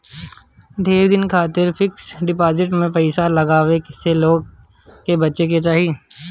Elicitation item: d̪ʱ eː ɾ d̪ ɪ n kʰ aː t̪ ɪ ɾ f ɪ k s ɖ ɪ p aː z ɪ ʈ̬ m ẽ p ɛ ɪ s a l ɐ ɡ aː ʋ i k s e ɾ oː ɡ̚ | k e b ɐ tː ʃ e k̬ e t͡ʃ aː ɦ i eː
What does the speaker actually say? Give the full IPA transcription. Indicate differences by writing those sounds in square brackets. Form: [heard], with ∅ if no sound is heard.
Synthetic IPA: d̪ʱ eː ɾ d̪ ɪ n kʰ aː t̪ ɪ ɾ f ɪ k s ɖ ɪ p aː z ɪ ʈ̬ m ẽ p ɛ ɪ s a l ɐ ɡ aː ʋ [e] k s e [l] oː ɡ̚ | k e b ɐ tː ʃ e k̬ e t͡ʃ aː ɦ i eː

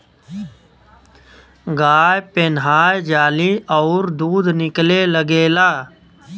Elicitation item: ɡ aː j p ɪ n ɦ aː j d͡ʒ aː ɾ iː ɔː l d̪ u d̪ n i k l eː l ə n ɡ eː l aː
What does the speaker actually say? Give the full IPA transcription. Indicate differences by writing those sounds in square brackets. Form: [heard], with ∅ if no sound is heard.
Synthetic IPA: ɡ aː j p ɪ n ɦ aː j d͡ʒ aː [l] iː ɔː [ɾ] d̪ [uː] d̪ n [ɪ] k l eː l ə [∅] ɡ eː l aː

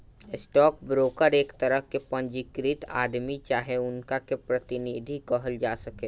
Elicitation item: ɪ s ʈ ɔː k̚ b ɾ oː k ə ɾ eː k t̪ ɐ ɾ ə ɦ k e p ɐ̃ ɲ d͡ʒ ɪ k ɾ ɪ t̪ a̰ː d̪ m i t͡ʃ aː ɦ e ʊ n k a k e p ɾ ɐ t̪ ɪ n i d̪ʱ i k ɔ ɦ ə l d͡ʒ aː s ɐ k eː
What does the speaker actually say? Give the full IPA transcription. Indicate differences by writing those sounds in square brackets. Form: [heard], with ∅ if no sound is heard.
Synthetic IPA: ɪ s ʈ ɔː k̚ b ɾ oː k ə ɾ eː k t̪ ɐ ɾ ə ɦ k e p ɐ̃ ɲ d͡ʒ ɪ k ɾ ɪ t̪ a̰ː d̪ m i t͡ʃ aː ɦ e ʊ n k a k e p ɾ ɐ t̪ ɪ n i d̪ʱ i k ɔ ɦ ə l d͡ʒ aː s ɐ k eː

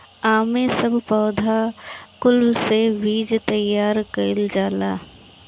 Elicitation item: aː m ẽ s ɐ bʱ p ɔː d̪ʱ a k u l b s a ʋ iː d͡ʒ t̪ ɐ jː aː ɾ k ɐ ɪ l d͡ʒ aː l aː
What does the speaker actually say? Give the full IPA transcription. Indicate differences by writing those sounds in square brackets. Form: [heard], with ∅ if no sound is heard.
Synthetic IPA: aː m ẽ s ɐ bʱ p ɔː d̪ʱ a k [ʊ] l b s [e] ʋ iː d͡ʒ t̪ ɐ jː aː ɾ k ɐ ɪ l d͡ʒ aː l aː

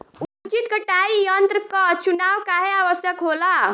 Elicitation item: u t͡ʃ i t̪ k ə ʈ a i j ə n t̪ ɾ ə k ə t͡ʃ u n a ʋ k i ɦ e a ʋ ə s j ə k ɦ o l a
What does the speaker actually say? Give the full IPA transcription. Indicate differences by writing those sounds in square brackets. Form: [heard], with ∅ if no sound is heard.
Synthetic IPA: u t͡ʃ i t̪ k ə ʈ a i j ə n t̪ ɾ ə k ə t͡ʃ u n a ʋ k [a] ɦ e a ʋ ə s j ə k ɦ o l a

